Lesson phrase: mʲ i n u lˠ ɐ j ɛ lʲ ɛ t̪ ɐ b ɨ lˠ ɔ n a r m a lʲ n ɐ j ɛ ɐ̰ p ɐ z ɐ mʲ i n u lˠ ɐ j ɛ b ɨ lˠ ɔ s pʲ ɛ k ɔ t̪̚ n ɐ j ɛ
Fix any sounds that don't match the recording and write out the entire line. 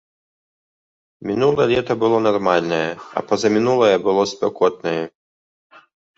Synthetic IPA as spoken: mʲ i n u lˠ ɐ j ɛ lʲ ɛ t̪ ɐ b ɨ lˠ ɔ n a r m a lʲ n ɐ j ɛ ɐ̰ p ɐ z ɐ mʲ i n u lˠ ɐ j ɛ b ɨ lˠ ɔ s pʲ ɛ k ɔ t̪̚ n ɐ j ɛ